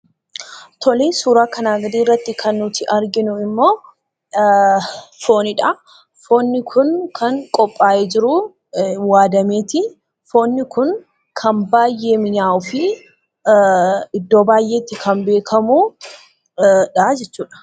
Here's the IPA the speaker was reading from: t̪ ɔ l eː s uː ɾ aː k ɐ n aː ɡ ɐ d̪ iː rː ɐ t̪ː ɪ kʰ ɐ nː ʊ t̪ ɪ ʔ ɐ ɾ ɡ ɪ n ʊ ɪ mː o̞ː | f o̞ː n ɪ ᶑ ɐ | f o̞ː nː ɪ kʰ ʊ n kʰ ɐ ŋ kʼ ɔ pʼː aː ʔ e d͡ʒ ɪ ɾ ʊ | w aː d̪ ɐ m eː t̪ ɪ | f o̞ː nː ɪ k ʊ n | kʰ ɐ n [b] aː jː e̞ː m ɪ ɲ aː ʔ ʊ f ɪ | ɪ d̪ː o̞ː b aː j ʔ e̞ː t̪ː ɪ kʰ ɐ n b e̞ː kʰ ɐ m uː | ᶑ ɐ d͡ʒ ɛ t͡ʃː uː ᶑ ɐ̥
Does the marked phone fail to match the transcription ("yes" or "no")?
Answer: no